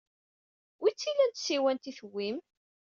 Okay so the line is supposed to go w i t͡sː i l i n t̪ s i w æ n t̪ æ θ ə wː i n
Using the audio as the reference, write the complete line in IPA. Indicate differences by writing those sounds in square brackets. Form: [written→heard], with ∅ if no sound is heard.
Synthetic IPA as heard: w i t͡sː i l [i→æ] n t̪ s i w æ n t̪ [æ→i] θ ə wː i [n→m]